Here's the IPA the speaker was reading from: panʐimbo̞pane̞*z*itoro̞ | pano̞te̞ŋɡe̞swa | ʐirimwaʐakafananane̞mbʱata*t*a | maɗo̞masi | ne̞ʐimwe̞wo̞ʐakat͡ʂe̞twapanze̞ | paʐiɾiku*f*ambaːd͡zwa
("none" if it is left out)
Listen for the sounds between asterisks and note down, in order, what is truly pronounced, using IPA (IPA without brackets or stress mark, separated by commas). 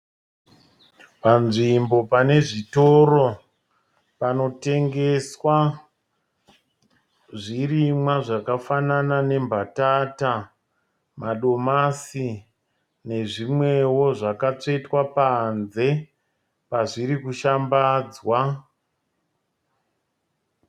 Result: ʐ, t, ʃ